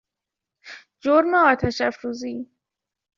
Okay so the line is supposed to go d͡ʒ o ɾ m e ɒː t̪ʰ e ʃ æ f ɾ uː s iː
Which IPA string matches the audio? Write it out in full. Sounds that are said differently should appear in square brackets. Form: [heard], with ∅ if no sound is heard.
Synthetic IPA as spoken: d͡ʒ o ɾ m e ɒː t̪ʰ [æ] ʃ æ f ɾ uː [z] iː